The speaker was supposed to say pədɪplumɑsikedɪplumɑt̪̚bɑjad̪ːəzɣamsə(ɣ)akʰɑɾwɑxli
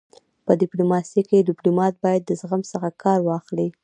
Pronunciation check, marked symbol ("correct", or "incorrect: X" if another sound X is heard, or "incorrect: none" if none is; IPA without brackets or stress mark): incorrect: x